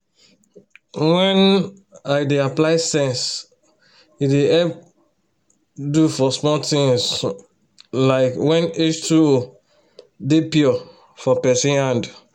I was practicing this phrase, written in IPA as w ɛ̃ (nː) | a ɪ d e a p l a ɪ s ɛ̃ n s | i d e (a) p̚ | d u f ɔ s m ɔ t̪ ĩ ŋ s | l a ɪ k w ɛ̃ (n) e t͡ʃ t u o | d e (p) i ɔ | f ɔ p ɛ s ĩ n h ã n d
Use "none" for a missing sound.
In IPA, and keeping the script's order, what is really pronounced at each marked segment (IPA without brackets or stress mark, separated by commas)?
n, ɛ, n, p